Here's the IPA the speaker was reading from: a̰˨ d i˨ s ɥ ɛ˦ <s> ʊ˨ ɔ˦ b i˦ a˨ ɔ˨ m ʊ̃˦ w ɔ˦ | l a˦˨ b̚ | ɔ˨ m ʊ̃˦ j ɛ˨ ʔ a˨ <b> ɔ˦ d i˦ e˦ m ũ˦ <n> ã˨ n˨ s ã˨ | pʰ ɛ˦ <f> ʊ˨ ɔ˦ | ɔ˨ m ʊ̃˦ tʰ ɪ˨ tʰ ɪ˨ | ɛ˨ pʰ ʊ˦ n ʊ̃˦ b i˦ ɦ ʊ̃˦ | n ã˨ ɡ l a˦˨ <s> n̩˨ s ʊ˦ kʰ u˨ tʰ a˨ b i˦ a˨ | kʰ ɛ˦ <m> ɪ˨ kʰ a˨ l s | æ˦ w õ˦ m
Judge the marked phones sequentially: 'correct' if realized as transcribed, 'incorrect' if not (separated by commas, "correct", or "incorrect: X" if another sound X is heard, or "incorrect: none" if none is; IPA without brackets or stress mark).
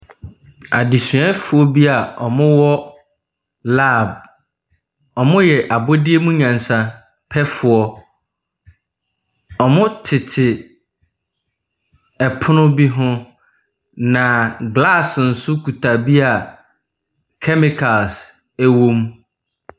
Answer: incorrect: f, correct, incorrect: ɲ, correct, correct, correct